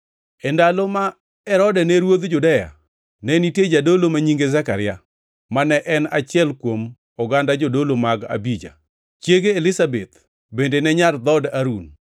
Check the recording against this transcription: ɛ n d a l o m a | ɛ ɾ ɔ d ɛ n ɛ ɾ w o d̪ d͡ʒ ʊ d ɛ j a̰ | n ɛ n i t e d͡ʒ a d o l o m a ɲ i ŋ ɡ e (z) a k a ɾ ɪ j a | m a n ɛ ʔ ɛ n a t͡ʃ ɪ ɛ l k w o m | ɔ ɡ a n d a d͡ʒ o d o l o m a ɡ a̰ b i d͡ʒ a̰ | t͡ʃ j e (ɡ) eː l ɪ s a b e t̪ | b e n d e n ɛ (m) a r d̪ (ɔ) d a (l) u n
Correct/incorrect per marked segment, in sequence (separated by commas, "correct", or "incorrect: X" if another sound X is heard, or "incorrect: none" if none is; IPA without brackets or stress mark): correct, correct, incorrect: ɲ, correct, incorrect: ɾ